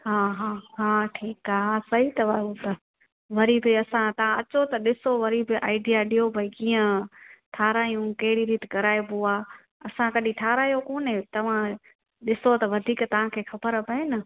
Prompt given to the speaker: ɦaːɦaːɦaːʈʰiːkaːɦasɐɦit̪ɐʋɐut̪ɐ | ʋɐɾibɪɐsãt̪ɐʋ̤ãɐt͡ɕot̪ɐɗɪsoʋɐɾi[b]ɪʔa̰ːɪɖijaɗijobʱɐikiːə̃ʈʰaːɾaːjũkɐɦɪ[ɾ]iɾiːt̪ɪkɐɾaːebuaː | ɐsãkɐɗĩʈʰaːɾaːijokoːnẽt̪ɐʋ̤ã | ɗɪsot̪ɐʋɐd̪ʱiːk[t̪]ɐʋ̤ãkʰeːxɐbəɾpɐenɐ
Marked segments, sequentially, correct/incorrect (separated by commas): correct, incorrect, correct